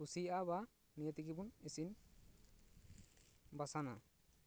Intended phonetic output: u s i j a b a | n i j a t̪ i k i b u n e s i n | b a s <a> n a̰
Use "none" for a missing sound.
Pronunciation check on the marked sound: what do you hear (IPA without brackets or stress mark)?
a